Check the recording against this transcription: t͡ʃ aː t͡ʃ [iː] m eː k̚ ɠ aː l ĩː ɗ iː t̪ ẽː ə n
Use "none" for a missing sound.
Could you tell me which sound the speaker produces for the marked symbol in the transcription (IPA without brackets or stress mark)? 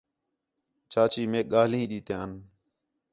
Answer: iː